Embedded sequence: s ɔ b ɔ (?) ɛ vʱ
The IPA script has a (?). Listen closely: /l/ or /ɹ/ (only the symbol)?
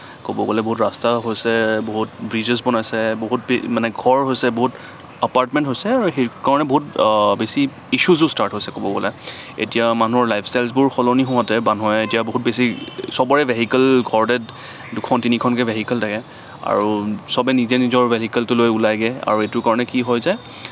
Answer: ɹ